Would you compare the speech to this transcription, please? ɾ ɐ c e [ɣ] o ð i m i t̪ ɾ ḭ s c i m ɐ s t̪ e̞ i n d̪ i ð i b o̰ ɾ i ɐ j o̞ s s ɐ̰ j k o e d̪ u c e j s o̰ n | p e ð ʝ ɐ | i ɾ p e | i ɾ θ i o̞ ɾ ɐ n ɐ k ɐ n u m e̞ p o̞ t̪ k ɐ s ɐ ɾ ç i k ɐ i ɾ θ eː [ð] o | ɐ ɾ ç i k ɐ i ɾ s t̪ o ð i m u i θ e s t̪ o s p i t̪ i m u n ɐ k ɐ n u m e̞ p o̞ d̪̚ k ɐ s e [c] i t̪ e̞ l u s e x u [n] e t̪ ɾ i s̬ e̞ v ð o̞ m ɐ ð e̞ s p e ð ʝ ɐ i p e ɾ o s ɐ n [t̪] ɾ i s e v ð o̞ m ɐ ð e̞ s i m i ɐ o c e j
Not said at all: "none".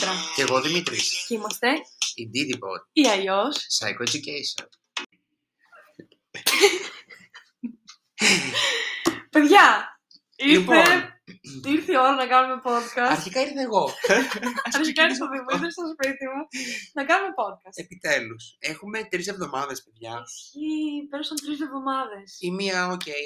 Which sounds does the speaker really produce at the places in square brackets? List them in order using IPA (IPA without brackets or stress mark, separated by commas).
ɣ, ɣ, p, m, t̪